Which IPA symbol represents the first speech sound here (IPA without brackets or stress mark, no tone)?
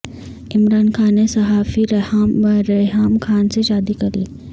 ɪ